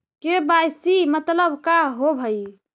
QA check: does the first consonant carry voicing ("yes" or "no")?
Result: no